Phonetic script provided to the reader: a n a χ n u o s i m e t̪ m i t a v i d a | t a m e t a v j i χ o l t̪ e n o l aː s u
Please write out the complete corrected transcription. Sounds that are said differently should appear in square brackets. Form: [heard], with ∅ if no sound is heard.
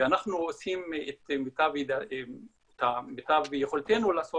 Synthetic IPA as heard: a n a χ n u o s i m e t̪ m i t a v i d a | t a m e t a v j [e] χ o l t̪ e n [u] l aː s [o]